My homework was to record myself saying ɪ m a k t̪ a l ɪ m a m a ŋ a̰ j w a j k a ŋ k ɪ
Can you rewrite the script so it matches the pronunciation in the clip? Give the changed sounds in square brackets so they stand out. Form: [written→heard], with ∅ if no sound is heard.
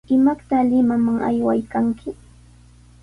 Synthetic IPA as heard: ɪ m a k t̪ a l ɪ m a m a ŋ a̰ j w a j k a ŋ k ɪ